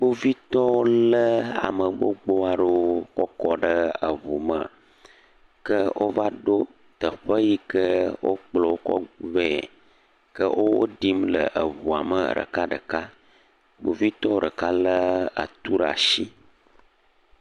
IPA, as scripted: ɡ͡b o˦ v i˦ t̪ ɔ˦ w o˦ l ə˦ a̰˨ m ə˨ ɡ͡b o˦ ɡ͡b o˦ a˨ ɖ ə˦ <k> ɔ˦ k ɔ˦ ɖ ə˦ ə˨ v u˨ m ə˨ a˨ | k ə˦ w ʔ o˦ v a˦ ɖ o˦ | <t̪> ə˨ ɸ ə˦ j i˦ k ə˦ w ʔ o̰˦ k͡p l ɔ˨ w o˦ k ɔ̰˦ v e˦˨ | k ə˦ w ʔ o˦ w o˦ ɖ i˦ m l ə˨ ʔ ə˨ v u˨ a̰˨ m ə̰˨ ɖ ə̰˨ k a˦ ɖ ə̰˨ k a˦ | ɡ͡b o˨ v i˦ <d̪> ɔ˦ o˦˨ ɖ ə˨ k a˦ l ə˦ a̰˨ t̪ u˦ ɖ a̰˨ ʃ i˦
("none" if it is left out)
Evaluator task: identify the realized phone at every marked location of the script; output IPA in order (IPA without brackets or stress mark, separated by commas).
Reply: k, t̪, t̪